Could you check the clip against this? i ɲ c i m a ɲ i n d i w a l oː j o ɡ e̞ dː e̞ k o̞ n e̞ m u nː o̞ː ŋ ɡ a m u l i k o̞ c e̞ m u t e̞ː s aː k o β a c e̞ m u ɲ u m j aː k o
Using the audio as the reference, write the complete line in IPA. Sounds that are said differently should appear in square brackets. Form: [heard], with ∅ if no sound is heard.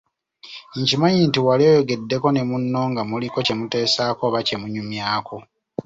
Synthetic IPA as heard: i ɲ c i m a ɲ i n [t] i w a l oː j o ɡ e̞ dː e̞ k o̞ n e̞ m u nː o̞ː ŋ ɡ a m u l i k o̞ c e̞ m u t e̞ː s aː k o β a c e̞ m u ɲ u m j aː k o